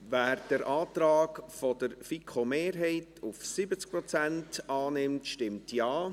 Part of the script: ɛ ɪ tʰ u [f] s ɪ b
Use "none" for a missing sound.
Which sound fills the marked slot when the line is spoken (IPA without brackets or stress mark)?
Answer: f